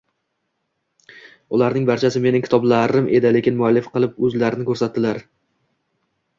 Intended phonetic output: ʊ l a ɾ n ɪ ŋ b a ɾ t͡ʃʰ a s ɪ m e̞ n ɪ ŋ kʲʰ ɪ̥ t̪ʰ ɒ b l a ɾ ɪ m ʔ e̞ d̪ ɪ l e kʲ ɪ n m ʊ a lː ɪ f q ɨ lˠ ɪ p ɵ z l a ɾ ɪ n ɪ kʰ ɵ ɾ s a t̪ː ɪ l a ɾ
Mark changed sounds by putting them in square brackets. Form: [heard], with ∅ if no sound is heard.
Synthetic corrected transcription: ʊ l a ɾ n ɪ ŋ b a ɾ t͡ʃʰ a s ɪ m e̞ n ɪ ŋ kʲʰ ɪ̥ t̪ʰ ɒ b l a ɾ ɪ m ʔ e̞ d̪ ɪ l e kʲ ɪ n m ʊ a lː ɪ f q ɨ lˠ ɪ p ɵ z l a ɾ ɪ n ɪ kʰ ɵ ɾ s a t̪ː ɪ l a ɾ